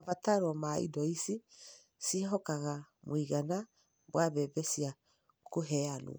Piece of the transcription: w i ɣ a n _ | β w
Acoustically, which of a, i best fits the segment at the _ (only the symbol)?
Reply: a